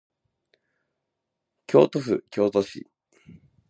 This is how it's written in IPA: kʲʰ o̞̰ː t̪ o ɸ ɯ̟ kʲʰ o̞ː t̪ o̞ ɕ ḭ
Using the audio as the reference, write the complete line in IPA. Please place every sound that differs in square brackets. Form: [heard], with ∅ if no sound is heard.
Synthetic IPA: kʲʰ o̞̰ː t̪ o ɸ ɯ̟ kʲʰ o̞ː t̪ o̞ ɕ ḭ